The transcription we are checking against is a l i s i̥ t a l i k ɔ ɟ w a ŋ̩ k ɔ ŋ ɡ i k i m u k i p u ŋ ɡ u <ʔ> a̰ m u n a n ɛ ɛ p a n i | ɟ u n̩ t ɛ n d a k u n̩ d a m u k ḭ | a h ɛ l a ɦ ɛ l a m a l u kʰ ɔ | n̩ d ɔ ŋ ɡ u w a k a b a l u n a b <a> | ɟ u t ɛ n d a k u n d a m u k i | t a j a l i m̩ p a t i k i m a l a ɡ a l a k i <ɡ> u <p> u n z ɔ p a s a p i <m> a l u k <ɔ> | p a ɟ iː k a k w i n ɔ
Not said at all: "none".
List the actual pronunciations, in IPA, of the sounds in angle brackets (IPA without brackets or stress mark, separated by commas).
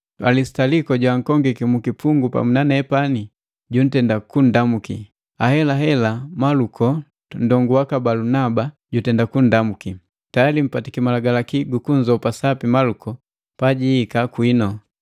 p, a, ɡ, k, m, ɔ